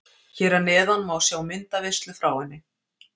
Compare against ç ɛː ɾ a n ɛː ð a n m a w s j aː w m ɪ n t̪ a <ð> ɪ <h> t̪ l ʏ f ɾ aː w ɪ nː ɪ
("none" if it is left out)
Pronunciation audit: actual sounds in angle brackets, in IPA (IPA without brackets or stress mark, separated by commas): v, s